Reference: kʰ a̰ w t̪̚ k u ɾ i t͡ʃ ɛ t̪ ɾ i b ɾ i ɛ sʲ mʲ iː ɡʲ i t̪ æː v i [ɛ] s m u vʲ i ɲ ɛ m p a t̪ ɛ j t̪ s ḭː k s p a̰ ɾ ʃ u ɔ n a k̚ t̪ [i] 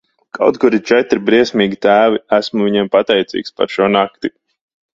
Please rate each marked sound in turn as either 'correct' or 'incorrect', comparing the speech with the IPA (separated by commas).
incorrect, correct